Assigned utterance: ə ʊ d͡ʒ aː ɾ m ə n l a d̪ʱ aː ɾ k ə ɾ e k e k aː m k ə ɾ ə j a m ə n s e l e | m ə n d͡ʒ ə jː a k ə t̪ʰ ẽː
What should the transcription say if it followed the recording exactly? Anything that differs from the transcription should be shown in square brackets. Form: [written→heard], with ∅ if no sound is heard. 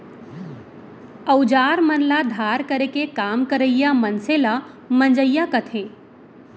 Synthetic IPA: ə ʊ d͡ʒ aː ɾ m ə n l a d̪ʱ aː ɾ k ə ɾ e k e k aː m k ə ɾ ə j a m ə n s e l [e→a] | m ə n d͡ʒ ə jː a k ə t̪ʰ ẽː